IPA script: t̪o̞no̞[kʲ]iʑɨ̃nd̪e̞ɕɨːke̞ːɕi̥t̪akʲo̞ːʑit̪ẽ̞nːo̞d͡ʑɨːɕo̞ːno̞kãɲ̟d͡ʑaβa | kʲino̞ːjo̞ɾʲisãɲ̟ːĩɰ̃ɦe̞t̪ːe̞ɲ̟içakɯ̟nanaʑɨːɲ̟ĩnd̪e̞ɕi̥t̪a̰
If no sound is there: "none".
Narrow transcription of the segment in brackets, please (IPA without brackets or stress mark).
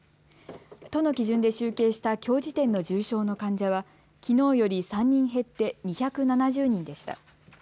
kʲ